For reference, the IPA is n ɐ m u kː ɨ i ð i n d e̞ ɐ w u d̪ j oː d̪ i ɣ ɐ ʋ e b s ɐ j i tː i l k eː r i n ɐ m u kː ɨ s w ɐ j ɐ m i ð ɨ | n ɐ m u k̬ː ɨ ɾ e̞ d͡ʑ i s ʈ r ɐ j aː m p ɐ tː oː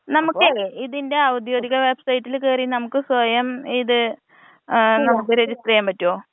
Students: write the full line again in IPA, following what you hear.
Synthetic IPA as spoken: n ɐ m u kː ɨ i ð i n d e̞ ɐ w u d̪ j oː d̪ i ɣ ɐ ʋ e b s ɐ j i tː i l k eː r i n ɐ m u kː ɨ s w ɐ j ɐ m i ð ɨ | n ɐ m u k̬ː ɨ ɾ e̞ d͡ʑ i s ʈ r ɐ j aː m p ɐ tː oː